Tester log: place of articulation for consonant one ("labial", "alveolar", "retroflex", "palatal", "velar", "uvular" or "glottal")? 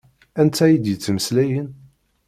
alveolar